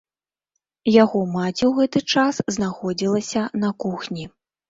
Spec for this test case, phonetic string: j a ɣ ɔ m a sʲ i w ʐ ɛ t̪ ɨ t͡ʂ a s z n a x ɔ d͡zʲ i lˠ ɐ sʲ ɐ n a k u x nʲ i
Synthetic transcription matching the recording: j a ɣ ɔ m a t͡sʲ i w ɣ ɛ t̪ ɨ t͡ʂ a s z n a x ɔ d͡zʲ i lˠ ɐ sʲ ɐ n ɐ k u x nʲ i